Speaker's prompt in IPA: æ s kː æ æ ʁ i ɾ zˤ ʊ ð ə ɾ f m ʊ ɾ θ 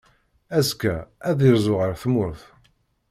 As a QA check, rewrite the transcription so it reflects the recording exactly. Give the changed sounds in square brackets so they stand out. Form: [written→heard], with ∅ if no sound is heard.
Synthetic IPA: æ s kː æ æ [ʁ→ð] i ɾ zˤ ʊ [ð→ʁ] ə ɾ [f→θ] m ʊ ɾ θ